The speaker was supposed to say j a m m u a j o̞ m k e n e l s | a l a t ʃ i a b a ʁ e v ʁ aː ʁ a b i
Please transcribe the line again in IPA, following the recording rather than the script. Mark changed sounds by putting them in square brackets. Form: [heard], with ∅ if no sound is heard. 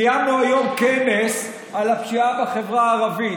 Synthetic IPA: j a m [n] u a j o̞ m k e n e [∅] s | a l a [p] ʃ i a b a [χ] e v ʁ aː ʁ a [v] i